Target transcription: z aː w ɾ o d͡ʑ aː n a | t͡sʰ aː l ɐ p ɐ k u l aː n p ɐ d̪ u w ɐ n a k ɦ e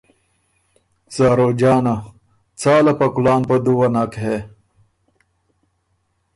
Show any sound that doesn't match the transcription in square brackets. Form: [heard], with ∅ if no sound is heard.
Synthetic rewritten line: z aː [∅] ɾ o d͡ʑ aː n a | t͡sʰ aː l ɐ p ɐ k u l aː n p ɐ d̪ u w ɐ n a k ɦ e